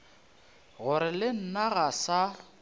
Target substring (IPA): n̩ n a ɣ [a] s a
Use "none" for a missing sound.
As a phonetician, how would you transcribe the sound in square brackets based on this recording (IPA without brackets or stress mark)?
a